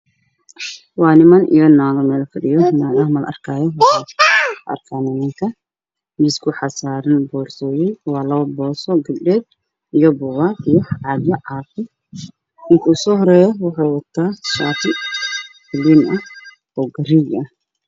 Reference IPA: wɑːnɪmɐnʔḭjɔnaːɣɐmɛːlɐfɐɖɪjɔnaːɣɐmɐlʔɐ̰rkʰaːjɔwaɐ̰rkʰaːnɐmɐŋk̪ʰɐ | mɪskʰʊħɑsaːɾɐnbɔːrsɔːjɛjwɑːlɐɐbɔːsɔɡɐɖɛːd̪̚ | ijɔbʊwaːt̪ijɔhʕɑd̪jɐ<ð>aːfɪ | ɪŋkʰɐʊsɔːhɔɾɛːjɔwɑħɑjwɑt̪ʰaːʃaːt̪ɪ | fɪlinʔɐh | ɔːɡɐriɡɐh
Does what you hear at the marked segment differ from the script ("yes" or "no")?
yes